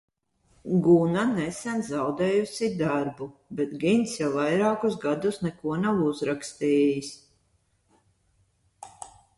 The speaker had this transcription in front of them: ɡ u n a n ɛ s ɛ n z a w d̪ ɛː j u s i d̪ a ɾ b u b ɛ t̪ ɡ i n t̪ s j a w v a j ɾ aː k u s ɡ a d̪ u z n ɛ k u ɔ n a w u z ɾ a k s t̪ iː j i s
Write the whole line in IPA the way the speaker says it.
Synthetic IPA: ɡ u n a n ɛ s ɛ n z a w d̪ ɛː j u s i d̪ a ɾ b u b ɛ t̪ ɡ i n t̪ s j a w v a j ɾ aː k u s ɡ a d̪ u s n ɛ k u ɔ n a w u z ɾ a k s t̪ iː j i s